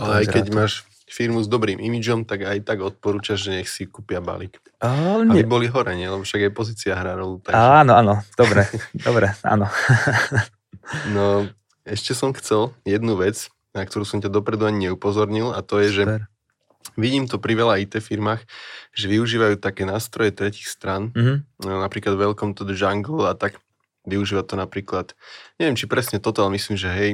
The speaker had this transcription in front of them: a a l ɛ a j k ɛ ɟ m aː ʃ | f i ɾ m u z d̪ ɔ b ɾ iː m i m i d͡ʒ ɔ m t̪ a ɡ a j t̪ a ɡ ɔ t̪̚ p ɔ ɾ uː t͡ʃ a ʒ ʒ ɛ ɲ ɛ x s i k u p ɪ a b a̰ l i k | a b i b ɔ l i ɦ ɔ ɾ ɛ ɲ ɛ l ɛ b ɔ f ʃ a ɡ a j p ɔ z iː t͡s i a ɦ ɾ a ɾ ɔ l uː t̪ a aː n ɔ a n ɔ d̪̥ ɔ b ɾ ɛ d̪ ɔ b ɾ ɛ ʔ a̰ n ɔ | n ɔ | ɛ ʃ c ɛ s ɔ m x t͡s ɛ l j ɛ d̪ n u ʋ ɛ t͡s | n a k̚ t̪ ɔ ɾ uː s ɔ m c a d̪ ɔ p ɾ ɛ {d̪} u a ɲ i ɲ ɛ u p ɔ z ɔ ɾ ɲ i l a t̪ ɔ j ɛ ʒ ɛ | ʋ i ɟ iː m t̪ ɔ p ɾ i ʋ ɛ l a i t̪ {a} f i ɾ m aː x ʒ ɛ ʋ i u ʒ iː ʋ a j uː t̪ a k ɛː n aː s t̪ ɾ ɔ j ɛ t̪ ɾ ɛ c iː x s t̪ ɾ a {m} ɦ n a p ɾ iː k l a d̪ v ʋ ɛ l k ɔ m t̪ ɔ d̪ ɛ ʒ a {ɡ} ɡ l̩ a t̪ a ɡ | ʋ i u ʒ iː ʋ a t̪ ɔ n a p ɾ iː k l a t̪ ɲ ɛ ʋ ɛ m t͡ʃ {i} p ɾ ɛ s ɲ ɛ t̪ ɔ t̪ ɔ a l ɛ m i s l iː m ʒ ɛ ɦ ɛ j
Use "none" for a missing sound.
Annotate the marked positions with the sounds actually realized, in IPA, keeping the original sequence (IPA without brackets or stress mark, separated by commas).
d̪, ɛ, n, ŋ, i